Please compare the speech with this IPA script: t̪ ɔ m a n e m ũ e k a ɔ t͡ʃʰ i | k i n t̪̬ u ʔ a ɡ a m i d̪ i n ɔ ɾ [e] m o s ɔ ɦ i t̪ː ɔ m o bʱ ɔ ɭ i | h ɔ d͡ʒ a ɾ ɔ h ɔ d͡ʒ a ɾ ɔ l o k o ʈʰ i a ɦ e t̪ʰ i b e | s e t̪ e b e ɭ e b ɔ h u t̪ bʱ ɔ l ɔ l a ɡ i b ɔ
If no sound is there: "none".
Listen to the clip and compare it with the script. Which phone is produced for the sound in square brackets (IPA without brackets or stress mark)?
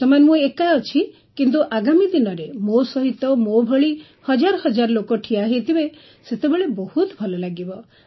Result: e